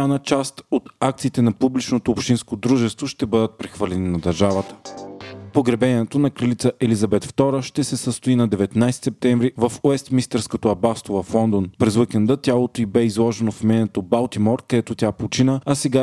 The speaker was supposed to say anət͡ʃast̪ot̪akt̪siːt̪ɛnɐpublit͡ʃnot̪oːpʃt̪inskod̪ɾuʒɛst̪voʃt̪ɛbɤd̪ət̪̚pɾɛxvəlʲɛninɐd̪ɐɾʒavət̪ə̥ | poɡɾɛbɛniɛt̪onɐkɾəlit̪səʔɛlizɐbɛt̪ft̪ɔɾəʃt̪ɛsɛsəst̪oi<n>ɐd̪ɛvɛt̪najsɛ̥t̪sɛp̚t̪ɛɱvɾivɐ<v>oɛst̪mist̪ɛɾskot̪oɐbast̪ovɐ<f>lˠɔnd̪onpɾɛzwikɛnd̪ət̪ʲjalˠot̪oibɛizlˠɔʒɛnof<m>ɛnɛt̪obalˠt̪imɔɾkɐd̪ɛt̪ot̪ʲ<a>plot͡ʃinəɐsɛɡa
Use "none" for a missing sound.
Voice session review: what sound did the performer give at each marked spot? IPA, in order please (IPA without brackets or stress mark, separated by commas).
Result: n, f, f, m, a